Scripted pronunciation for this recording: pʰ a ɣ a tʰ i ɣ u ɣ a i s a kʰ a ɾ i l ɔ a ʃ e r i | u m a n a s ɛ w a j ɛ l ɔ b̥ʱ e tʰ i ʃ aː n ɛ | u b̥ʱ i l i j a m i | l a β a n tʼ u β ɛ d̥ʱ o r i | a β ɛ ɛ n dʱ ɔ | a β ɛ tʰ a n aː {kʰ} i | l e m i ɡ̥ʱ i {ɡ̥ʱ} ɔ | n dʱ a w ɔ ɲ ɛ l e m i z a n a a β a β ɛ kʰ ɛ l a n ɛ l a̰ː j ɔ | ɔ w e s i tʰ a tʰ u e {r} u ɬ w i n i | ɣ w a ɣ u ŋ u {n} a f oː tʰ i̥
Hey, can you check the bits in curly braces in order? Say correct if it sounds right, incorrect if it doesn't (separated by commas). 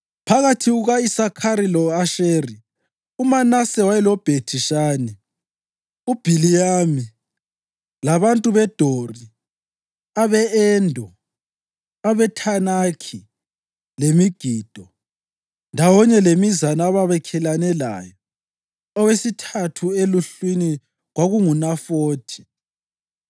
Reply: correct, incorrect, incorrect, correct